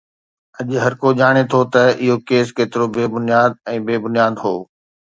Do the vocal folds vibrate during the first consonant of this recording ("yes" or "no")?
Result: yes